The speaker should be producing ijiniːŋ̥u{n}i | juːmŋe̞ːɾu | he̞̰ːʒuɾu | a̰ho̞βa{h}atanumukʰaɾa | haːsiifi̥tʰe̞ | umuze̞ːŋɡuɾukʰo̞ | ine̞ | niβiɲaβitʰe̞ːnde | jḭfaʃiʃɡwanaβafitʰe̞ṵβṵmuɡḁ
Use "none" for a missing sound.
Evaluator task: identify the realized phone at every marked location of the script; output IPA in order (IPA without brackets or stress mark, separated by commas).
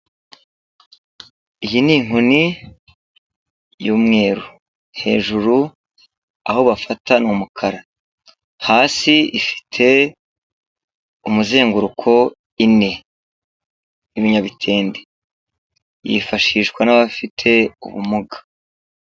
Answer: n, f